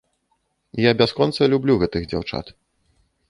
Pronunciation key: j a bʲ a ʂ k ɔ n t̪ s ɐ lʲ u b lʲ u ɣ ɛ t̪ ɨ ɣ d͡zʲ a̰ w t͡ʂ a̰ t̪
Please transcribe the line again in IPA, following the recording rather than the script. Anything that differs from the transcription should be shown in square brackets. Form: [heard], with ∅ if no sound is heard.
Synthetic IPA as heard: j a bʲ a [s] k ɔ n t̪ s ɐ lʲ u b lʲ u ɣ ɛ t̪ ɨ ɣ d͡zʲ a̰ w t͡ʂ a̰ t̪

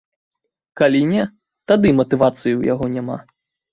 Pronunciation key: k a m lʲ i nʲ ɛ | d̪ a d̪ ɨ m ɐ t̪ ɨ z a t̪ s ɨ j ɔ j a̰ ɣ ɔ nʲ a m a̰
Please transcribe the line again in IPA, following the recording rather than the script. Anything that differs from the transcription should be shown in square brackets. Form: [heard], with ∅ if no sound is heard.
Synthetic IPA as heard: k a [∅] lʲ i nʲ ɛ | [t̪] a d̪ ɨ m ɐ t̪ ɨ [v] a t̪ s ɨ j [u] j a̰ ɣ ɔ nʲ a m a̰

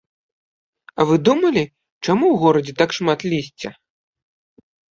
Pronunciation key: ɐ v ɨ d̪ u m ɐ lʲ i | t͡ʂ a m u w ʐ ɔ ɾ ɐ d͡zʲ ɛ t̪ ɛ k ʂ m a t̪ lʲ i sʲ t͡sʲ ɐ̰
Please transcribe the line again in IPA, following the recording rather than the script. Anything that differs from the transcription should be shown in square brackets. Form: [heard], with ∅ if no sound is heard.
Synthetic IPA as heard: ɐ v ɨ d̪ u m ɐ lʲ i | t͡ʂ a m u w [ɣ] ɔ ɾ ɐ d͡zʲ ɛ t̪ [a] k ʂ m a t̪ lʲ i sʲ t͡sʲ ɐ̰

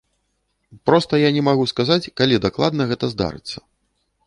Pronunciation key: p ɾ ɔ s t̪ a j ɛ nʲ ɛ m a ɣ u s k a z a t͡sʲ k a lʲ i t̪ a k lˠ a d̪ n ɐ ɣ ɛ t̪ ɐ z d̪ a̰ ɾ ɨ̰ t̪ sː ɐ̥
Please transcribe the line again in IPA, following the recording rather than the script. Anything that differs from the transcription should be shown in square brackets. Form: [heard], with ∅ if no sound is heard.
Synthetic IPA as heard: p ɾ ɔ s t̪ [ɐ] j [a] nʲ ɛ m a ɣ u s k a z a t͡sʲ k a lʲ i [d̪] a k lˠ a d̪ n ɐ ɣ ɛ t̪ ɐ z d̪ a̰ ɾ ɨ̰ t̪ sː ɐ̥

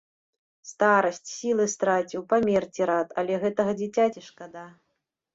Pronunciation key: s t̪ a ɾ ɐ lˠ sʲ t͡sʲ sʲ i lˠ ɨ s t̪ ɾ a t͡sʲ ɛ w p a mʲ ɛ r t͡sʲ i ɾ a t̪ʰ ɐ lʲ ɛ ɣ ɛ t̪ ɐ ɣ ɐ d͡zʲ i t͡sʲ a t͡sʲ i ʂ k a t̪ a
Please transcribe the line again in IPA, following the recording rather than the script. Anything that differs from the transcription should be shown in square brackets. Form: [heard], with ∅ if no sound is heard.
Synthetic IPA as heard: s t̪ a ɾ ɐ [∅] sʲ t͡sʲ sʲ i lˠ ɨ s t̪ ɾ a t͡sʲ [i] w p a mʲ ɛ r t͡sʲ i ɾ a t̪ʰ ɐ lʲ ɛ ɣ ɛ t̪ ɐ ɣ ɐ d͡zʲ i t͡sʲ a t͡sʲ i ʂ k a [d̪] a

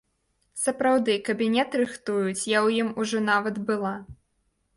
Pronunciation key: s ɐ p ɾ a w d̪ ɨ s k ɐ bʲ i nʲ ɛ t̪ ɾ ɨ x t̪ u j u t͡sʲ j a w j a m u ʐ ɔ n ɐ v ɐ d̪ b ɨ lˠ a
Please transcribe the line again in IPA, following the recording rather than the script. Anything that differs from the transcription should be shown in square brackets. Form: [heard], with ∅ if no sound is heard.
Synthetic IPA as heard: s ɐ p ɾ a w d̪ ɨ [∅] k ɐ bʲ i nʲ ɛ t̪ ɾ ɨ x t̪ u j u t͡sʲ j a w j [i] m u ʐ ɔ n [a] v ɐ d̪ b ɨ lˠ a

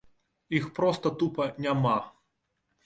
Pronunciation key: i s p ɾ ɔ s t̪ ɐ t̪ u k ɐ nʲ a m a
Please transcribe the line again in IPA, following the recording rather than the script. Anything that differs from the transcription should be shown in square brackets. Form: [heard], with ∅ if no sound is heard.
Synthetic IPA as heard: i [x] p ɾ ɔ s t̪ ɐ t̪ u [p] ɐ nʲ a m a

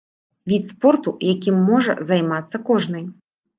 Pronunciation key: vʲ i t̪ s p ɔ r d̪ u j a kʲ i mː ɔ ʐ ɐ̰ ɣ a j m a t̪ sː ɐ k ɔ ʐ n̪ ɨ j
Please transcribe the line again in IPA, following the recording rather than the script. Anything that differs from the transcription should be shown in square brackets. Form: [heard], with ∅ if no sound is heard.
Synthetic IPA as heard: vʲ i t̪ s p ɔ r [t̪] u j a kʲ i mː ɔ ʐ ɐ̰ [z] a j m a t̪ sː ɐ k ɔ ʐ n̪ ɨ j

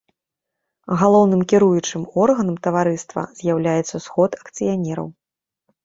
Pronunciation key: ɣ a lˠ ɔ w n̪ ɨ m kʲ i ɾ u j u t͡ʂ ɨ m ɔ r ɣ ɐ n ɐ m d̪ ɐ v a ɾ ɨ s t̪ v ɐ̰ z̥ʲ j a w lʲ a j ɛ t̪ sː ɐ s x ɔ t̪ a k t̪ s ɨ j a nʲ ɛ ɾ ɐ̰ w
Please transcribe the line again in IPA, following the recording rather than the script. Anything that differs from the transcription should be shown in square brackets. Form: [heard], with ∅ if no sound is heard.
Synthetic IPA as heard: ɣ a lˠ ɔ w n̪ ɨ m kʲ i ɾ u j u t͡ʂ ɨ m ɔ r ɣ ɐ n ɐ m [t̪] ɐ v a ɾ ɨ s t̪ v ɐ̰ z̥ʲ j a w lʲ a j ɛ t̪ sː ɐ s x ɔ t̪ [ɐ] k t̪ s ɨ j a nʲ ɛ ɾ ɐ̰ w

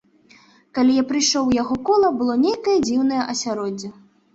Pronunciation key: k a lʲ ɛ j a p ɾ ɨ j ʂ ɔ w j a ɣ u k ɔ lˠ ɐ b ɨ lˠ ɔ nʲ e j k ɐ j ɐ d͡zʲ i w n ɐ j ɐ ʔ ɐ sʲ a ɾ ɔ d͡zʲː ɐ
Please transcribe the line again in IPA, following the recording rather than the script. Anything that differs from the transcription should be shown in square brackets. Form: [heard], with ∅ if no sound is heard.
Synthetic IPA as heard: k a lʲ [i] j a p ɾ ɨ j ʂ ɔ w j a ɣ [ɔ] k ɔ lˠ ɐ b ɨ lˠ ɔ nʲ e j k ɐ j ɐ d͡zʲ i w n ɐ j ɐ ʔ ɐ sʲ a ɾ ɔ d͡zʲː ɐ

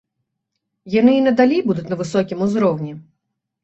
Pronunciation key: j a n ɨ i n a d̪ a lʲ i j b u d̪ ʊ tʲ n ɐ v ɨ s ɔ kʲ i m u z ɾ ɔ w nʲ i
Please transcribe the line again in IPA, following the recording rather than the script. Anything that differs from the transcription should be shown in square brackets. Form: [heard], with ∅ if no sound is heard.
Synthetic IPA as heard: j a n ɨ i n [ɐ] d̪ a lʲ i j b u d̪ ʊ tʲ n ɐ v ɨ s ɔ kʲ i m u z ɾ ɔ w nʲ i

